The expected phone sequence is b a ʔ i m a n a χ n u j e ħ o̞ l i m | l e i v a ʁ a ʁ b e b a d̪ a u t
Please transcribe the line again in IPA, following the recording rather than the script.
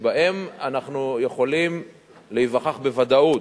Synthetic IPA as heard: b a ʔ e m a n a χ n u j e χ o̞ l i m | l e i v a χ a χ b e v a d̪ a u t